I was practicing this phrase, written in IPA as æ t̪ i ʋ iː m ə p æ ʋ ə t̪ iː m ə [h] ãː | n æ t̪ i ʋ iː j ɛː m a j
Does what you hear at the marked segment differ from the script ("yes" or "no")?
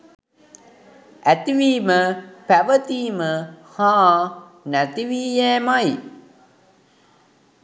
no